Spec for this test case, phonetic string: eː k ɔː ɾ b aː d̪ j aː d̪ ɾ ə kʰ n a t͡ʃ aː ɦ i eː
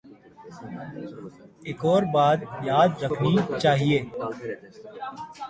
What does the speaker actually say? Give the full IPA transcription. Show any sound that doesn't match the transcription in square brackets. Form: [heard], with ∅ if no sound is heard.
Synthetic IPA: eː k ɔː ɾ b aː d̪ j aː d̪ ɾ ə kʰ n [i] t͡ʃ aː ɦ i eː